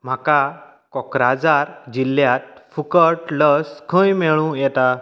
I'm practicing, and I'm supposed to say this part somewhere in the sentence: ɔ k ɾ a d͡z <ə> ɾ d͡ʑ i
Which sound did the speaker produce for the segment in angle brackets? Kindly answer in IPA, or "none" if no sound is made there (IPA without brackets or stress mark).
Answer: a